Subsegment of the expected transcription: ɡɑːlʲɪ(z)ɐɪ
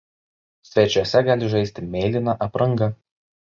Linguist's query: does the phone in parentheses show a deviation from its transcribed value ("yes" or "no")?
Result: yes